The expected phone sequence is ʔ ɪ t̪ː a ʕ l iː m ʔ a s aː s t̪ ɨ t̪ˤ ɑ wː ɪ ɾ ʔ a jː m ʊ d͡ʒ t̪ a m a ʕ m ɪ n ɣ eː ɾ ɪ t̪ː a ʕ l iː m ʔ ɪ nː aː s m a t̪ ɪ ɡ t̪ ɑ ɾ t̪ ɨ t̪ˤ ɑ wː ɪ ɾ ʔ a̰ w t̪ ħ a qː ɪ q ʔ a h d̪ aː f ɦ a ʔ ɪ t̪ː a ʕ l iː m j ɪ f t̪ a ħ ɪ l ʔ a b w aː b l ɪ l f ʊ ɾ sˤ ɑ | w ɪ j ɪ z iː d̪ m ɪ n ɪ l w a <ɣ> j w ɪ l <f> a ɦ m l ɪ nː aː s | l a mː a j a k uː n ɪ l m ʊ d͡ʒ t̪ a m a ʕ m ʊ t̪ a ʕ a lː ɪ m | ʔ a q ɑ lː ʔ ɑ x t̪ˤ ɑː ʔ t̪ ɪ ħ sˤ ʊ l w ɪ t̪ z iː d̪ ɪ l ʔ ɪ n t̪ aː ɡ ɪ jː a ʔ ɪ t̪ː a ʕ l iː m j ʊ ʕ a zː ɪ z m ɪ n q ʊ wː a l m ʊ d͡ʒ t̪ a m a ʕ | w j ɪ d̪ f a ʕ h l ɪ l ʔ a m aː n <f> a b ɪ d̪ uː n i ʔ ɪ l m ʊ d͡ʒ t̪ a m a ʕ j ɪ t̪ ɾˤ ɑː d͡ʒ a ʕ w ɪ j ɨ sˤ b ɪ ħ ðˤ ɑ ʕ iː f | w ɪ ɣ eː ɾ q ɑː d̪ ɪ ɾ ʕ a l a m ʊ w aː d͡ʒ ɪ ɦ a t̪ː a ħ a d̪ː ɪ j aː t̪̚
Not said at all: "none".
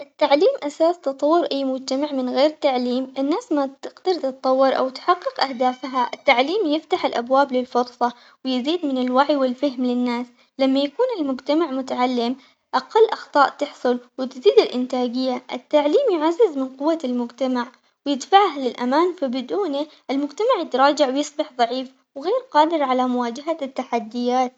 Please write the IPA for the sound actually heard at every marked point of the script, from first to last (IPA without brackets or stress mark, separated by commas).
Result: ʕ, f, f